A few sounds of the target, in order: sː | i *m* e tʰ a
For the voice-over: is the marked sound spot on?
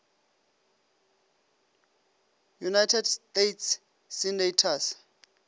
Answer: no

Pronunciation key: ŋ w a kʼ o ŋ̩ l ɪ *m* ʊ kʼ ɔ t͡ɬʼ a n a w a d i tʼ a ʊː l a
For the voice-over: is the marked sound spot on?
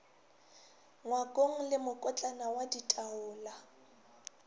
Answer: yes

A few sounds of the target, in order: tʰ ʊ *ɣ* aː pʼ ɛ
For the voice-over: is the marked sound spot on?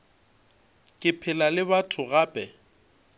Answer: yes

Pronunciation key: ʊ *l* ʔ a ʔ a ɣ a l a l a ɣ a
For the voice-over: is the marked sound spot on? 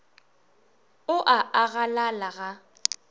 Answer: no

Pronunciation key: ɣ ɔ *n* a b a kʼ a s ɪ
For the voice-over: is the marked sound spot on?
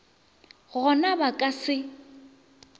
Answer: yes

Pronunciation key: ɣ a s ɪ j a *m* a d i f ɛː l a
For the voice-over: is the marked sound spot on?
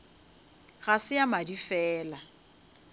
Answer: yes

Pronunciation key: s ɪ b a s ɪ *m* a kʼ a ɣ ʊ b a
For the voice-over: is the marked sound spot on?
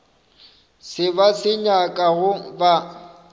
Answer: no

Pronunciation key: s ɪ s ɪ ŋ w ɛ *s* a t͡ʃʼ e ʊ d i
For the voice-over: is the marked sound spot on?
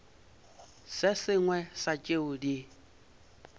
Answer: yes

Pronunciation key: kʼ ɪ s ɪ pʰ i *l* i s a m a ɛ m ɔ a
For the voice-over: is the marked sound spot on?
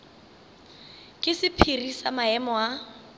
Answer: no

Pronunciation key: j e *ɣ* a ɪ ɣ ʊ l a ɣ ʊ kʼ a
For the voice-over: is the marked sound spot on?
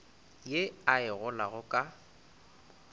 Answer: no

